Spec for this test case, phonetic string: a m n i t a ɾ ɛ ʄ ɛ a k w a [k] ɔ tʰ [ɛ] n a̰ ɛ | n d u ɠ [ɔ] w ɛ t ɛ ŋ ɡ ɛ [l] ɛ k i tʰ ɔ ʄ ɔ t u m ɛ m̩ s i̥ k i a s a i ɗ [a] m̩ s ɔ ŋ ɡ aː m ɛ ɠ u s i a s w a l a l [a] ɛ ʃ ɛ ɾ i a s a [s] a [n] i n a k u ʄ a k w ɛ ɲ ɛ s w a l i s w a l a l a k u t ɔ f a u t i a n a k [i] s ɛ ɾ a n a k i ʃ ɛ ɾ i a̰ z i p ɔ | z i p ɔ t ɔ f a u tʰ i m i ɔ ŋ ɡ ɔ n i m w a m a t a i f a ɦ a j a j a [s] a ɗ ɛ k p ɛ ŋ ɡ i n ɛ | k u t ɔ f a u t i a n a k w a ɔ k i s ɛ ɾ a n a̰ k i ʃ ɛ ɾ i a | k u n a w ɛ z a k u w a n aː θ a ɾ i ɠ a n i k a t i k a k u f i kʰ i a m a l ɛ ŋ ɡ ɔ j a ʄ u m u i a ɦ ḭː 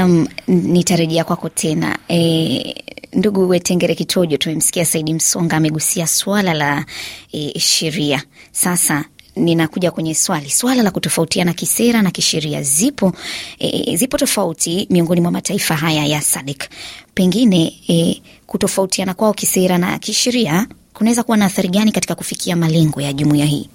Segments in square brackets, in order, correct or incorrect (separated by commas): correct, correct, incorrect, incorrect, incorrect, correct, correct, correct, correct, correct